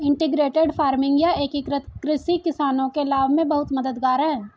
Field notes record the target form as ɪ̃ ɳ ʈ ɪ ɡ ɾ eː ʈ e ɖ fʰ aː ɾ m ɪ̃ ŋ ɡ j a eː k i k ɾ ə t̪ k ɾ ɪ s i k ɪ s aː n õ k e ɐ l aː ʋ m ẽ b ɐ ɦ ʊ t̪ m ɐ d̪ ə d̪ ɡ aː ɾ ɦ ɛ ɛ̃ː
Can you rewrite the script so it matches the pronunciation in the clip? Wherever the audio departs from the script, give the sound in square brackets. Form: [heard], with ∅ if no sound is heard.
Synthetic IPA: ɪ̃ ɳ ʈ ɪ ɡ ɾ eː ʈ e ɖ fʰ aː ɾ m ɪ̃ ŋ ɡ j a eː k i k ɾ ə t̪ k ɾ ɪ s i k ɪ s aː n õ k e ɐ l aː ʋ m ẽ b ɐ ɦ ʊ t̪ m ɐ d̪ ə d̪ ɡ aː ɾ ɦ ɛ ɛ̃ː